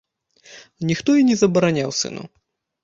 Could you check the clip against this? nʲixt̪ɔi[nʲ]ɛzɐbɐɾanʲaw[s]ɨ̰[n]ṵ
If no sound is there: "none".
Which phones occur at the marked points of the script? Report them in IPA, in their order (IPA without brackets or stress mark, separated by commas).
nʲ, s, n